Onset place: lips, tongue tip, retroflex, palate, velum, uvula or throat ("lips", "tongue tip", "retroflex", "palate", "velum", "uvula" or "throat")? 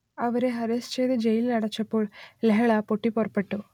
lips